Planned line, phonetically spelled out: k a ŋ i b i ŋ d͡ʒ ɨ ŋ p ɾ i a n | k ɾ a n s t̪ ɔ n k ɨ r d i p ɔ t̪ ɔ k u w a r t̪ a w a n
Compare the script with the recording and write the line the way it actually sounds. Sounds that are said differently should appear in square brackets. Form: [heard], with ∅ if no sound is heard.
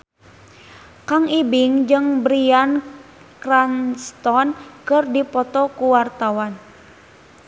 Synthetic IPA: k a ŋ i b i ŋ d͡ʒ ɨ ŋ [b] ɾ i a n | k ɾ a n s t̪ ɔ n k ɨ r d i p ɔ t̪ ɔ k u w a r t̪ a w a n